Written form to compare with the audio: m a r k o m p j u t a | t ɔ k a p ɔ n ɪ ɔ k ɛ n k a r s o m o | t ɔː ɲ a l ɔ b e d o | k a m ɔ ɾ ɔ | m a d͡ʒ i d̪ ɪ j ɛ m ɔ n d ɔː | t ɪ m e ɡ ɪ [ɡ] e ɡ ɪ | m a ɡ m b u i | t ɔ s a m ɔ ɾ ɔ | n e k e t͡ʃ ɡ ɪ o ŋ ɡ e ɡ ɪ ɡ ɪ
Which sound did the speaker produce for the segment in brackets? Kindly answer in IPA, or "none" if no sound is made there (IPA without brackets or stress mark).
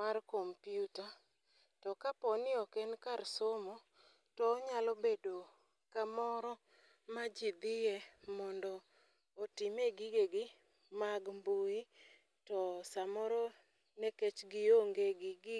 ɡ